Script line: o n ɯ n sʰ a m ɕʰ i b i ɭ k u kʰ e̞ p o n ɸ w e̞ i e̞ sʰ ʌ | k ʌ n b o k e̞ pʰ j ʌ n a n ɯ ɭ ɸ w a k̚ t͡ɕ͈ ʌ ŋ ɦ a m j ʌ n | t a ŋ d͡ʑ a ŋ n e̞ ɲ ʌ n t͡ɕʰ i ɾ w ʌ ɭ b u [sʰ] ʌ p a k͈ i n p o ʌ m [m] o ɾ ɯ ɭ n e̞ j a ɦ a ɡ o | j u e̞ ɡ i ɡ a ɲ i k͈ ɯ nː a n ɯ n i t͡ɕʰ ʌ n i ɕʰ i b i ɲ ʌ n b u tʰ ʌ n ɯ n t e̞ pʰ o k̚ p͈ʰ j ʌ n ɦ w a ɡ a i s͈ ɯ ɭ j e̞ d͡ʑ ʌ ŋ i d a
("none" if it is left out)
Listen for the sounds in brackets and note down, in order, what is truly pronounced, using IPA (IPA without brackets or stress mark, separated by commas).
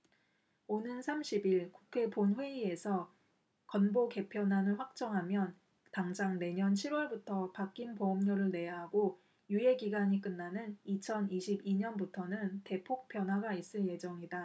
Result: tʰ, ɲ